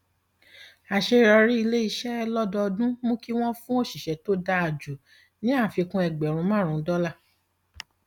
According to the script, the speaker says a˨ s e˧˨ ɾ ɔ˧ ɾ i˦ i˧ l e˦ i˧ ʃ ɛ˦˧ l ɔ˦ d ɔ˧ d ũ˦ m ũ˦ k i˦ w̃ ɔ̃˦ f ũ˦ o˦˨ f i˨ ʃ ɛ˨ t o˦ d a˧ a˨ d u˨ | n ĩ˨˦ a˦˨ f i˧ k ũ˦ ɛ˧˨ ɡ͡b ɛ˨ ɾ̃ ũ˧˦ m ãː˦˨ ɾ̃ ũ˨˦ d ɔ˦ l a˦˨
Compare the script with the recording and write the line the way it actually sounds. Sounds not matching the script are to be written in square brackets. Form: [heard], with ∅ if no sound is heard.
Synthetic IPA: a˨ [ʃ] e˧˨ ɾ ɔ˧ ɾ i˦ i˧ l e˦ i˧ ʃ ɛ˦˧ l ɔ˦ d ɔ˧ d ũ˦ m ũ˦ k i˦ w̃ ɔ̃˦ f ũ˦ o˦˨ [ʃ] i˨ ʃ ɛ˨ t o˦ d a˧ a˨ [d͡ʒ] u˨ | n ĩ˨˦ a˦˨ f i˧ k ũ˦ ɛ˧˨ ɡ͡b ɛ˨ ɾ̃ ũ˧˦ m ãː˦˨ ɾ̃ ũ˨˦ d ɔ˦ l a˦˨

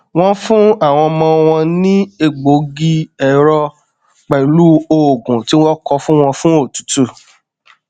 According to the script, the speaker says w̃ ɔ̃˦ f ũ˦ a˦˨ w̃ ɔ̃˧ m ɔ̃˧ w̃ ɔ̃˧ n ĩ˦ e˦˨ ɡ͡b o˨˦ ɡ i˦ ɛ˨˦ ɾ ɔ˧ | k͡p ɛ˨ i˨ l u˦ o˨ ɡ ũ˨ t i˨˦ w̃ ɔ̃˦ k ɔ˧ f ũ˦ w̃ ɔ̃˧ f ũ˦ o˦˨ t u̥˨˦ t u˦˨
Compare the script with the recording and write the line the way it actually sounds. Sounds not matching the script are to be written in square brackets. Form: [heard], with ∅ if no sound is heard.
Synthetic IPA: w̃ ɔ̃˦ f ũ˦ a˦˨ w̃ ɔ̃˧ m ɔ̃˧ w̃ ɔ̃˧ n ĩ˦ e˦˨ ɡ͡b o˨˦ ɡ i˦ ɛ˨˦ ɾ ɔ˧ | k͡p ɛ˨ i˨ l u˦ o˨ ɡ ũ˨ t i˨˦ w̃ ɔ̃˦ k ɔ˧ f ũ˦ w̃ ɔ̃˧ f ũ˦ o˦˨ t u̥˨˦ t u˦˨

